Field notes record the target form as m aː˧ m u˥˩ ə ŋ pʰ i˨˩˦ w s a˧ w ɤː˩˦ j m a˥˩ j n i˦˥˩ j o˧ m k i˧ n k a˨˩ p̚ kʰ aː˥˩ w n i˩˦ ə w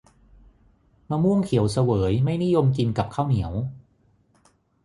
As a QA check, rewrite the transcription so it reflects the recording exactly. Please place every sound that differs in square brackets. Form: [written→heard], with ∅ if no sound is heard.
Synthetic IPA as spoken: m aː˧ m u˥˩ ə ŋ [pʰ→kʰ] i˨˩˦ w s a˧ w ɤː˩˦ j m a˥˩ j n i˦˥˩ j o˧ m k i˧ n k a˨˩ p̚ kʰ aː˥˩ w n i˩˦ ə w